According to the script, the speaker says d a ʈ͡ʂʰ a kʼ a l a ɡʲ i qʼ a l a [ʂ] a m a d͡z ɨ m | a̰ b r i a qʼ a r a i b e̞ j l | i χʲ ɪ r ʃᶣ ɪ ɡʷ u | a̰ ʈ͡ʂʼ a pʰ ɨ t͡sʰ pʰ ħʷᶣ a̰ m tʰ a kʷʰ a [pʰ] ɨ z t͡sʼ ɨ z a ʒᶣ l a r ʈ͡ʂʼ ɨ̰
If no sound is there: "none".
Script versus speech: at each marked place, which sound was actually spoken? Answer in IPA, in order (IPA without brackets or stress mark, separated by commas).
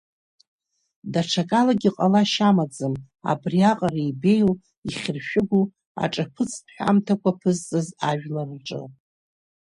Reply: ʃ, pʰ